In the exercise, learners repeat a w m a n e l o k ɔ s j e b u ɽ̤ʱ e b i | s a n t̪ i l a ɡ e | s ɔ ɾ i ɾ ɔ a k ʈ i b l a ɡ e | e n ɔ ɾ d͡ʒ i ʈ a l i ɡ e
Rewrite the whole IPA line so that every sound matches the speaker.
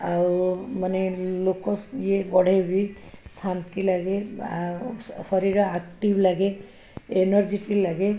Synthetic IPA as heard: a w m a n e l o k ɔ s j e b ɔ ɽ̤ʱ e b i | s a n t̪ i l a ɡ e | s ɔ ɾ i ɾ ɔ a k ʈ i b l a ɡ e | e n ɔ ɾ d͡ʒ i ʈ i l a ɡ e